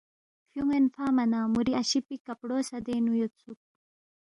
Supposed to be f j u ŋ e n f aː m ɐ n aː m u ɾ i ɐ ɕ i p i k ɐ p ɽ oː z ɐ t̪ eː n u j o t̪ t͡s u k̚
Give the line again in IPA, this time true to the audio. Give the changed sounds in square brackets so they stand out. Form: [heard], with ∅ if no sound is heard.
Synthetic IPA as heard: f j u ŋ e n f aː m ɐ n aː m u ɾ i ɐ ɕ i p i k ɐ p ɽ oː [s] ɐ [d̪] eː n u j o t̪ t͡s u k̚